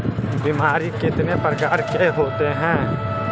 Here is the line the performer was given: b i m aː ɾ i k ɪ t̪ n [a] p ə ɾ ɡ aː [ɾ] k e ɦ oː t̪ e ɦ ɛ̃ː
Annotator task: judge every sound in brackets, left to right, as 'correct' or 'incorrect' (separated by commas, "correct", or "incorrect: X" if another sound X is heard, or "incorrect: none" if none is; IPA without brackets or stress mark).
incorrect: e, correct